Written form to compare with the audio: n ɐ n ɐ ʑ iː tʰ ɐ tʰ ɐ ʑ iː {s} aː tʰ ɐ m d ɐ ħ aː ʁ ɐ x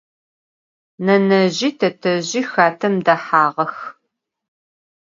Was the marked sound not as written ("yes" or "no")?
yes